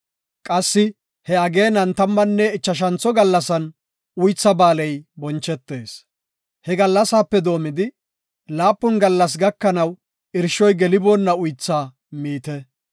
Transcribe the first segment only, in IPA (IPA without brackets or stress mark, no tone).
kʼ